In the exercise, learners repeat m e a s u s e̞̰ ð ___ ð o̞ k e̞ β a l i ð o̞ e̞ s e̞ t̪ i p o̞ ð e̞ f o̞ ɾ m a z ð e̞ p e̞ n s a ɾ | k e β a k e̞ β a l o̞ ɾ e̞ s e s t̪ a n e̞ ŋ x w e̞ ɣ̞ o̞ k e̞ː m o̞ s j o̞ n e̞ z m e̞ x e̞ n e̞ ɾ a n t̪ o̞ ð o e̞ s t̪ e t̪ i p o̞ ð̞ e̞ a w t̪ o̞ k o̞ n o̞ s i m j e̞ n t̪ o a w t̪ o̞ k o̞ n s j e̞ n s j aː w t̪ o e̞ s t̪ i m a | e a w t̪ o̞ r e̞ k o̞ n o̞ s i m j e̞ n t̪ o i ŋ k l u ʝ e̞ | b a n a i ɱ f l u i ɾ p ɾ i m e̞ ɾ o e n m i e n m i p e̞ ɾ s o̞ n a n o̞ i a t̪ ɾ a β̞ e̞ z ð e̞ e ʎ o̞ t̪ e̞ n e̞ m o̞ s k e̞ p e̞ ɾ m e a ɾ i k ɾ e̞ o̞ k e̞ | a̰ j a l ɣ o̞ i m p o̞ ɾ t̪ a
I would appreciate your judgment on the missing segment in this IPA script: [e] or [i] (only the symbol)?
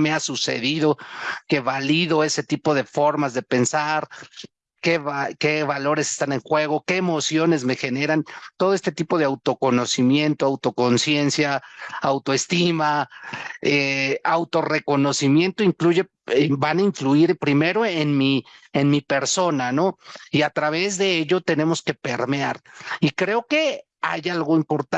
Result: i